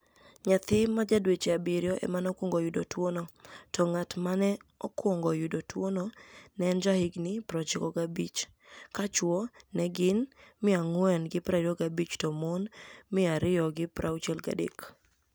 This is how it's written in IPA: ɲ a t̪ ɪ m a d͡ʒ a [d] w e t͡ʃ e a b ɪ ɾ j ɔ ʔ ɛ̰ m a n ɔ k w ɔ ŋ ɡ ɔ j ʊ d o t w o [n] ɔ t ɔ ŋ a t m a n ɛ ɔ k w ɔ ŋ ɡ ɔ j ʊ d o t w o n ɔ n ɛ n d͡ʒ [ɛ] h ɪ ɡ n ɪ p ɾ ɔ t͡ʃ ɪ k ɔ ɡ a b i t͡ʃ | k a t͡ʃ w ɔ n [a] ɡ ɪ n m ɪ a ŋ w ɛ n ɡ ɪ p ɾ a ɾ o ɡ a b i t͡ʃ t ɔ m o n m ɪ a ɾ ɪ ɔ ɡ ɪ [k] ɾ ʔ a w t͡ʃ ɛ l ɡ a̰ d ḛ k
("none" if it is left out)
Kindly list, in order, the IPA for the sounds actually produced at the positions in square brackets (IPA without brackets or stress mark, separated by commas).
d, n, a, ɛ, p